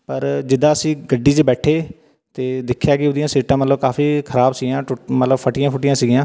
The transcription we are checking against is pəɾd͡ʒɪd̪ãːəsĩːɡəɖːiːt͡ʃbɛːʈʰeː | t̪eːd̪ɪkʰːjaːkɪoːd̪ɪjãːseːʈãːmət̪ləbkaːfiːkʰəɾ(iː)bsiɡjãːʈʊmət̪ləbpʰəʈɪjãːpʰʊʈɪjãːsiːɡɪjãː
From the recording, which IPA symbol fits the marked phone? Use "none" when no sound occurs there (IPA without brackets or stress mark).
aː